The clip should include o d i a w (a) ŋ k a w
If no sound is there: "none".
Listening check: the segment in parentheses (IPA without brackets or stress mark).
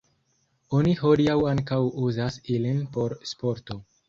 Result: a